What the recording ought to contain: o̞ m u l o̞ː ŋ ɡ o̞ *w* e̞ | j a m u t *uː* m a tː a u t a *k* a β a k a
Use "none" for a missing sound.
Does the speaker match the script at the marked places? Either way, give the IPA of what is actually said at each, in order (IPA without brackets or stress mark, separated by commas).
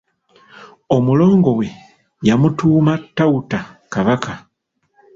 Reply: w, uː, k